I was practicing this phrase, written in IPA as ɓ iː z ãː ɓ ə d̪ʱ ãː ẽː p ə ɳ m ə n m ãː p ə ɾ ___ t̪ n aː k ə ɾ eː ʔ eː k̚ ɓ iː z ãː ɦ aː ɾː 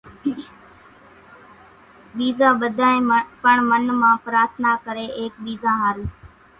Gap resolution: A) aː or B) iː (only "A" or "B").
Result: A